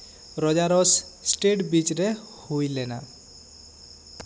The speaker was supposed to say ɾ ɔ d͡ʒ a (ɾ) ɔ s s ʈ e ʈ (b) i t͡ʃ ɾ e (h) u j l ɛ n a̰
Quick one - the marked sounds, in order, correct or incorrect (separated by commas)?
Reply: correct, correct, correct